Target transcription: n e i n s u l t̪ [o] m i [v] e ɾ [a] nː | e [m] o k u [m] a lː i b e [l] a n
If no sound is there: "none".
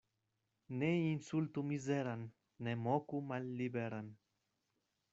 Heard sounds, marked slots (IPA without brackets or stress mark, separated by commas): u, z, a, m, m, ɾ